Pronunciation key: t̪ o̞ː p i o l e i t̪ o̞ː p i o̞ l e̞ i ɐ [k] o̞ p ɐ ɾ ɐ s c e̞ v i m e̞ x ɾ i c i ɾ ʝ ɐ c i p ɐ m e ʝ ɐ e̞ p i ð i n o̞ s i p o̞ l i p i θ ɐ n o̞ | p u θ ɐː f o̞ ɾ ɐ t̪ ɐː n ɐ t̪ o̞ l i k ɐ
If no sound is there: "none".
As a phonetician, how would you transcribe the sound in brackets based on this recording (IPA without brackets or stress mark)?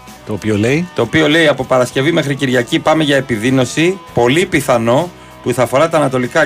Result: p